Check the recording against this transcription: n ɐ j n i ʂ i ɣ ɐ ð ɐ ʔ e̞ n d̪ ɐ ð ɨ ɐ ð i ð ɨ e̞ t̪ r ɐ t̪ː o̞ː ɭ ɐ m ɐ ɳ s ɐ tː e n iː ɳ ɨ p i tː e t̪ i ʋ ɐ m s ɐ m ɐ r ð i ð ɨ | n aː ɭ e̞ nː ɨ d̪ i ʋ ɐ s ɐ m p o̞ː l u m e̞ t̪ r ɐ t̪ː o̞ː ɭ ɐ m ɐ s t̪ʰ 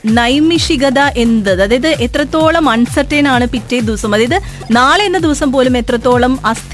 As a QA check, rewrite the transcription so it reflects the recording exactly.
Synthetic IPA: n ɐ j m i ʂ i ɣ ɐ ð ɐ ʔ e̞ n d̪ ɐ ð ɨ ɐ ð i ð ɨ e̞ t̪ r ɐ t̪ː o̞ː ɭ ɐ m ɐ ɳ s ɐ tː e n aː ɳ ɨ p i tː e d̪ i ʋ ɐ s ɐ m ɐ ð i ð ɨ | n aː ɭ e̞ nː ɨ d̪ i ʋ ɐ s ɐ m p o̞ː l u m e̞ t̪ r ɐ t̪ː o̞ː ɭ ɐ m ɐ s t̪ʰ